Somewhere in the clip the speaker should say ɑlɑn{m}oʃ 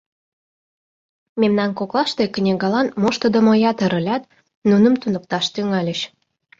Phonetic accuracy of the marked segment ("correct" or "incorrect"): correct